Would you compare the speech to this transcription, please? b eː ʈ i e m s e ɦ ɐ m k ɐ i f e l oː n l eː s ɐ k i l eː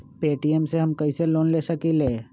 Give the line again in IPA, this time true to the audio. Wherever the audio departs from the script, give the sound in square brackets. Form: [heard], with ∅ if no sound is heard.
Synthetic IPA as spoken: [p] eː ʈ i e m s e ɦ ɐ m k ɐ i [s] e l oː n l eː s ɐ k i l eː